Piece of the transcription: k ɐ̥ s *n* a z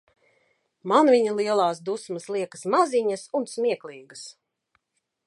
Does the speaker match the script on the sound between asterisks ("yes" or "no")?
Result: no